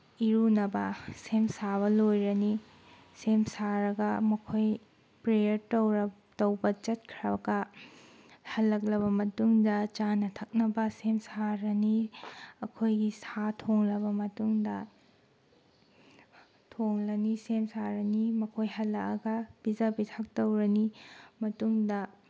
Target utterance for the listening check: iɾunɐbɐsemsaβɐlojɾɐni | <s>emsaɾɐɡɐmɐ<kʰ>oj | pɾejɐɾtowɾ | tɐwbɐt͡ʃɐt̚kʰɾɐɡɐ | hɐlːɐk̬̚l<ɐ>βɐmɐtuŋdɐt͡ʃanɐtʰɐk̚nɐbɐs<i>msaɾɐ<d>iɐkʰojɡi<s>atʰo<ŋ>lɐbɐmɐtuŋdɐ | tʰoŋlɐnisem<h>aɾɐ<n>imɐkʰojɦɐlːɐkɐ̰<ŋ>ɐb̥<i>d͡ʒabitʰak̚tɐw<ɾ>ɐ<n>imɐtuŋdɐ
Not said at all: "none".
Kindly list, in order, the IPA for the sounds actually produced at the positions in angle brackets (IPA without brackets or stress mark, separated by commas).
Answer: s, kʰ, ɐ, e, n, s, ŋ, s, n, ɡ, i, ɾ, n